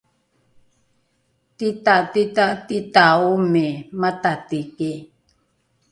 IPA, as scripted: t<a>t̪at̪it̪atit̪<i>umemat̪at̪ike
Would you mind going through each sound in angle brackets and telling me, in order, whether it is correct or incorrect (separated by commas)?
incorrect, incorrect